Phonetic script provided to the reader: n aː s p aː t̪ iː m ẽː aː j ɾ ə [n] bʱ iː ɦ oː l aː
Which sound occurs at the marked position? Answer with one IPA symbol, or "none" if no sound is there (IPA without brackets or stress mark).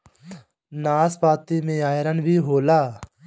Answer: n